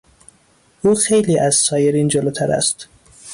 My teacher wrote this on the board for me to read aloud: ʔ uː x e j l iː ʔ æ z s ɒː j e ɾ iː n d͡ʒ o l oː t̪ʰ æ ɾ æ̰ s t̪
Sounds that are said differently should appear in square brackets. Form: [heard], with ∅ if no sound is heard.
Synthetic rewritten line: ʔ uː x e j l iː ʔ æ z s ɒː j e ɾ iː n d͡ʒ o l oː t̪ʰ æ ɾ æ̰ s t̪